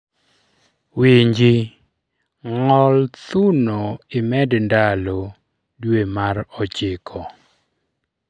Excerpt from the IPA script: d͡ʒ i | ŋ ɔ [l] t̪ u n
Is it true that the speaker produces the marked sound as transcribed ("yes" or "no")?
yes